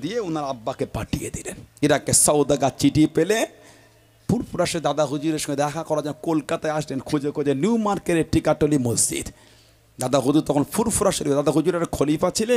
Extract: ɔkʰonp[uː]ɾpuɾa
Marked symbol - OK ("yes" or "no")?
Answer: no